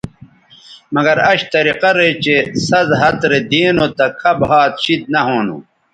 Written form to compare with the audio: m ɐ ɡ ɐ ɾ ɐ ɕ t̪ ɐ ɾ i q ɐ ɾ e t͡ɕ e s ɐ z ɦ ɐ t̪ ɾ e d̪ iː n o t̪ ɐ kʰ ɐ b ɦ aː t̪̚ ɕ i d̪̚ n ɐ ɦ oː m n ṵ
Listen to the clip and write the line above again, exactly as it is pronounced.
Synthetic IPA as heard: m ɐ ɡ ɐ ɾ ɐ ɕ t̪ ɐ ɾ i q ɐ ɾ e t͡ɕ e s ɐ z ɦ ɐ t̪ ɾ e d̪ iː n o t̪ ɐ kʰ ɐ b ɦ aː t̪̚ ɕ i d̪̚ n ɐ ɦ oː n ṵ

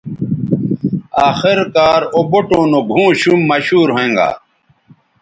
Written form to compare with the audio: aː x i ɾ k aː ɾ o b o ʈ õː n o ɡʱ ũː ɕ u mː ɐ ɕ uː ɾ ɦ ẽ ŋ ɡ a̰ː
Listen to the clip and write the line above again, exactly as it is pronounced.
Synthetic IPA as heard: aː x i ɾ k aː ɾ o b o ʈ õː n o ɡʱ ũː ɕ u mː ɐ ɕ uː ɾ ɦ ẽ ŋ ɡ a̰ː

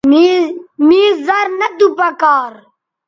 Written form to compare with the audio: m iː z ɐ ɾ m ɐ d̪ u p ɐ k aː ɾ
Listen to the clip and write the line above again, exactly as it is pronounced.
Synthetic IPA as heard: m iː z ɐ ɾ n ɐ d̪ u p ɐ k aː ɾ

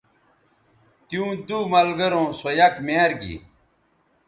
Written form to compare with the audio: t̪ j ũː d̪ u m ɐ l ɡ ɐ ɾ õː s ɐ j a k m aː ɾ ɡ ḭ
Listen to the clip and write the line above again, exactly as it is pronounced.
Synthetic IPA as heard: t̪ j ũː d̪ u m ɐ l ɡ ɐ ɾ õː s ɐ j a k m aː ɾ ɡ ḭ

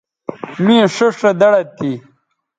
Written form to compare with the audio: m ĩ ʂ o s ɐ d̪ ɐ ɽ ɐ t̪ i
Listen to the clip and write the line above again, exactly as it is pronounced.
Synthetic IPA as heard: m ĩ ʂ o ʂ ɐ d̪ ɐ ɽ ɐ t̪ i

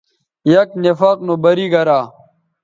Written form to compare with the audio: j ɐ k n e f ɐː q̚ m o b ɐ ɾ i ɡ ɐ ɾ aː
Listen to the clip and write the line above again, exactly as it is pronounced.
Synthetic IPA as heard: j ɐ k n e f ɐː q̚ n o b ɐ ɾ i ɡ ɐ ɾ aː

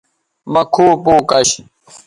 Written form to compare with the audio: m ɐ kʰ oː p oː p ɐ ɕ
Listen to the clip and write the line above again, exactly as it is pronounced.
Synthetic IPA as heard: m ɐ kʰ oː p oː k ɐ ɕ

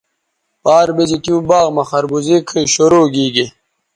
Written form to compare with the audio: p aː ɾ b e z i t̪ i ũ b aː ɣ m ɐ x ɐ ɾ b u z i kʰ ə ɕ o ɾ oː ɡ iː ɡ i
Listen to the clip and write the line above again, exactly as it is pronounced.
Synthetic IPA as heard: p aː ɾ b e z i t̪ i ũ b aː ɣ m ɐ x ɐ ɾ b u z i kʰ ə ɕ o ɾ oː ɡ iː ɡ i

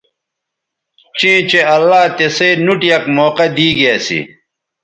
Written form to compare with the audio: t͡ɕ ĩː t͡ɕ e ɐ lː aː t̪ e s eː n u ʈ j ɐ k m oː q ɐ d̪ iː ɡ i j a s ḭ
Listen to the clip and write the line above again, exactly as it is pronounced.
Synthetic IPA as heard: t͡ɕ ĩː t͡ɕ e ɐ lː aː t̪ e s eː n u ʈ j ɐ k m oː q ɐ d̪ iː ɡ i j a s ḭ

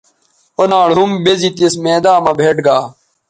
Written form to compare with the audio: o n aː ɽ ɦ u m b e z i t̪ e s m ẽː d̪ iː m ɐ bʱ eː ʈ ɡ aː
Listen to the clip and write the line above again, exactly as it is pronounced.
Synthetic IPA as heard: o n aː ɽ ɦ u m b e z i t̪ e s m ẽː d̪ aː m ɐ bʱ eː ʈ ɡ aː

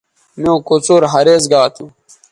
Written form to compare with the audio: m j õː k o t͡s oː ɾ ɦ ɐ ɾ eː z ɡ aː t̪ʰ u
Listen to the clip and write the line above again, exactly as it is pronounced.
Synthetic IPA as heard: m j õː k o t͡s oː ɾ ɦ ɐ ɾ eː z ɡ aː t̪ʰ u

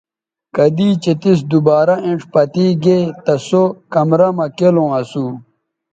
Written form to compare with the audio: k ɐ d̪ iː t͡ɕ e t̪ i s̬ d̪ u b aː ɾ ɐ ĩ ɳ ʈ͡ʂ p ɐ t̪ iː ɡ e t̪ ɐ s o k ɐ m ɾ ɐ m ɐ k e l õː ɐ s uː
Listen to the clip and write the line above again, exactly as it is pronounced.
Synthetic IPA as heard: k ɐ d̪ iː t͡ɕ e t̪ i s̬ d̪ u b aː ɾ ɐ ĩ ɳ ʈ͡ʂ p ɐ t̪ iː ɡ e t̪ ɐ s o k ɐ m ɾ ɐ m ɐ k e l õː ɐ s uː

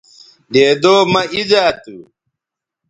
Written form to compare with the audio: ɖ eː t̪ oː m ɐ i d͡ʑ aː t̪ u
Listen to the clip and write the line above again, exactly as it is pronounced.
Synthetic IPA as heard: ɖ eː d̪ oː m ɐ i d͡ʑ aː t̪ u

